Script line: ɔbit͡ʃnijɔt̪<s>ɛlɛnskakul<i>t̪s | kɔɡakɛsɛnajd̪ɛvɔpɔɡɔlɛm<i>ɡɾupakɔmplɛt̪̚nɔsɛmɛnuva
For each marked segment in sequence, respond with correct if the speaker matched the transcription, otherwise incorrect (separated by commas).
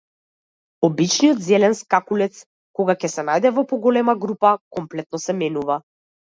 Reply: incorrect, incorrect, incorrect